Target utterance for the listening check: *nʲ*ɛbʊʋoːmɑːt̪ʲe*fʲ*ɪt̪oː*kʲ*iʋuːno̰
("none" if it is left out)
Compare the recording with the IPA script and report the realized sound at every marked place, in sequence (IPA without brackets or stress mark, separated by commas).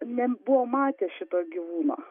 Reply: nʲ, ʃʲ, ɡʲ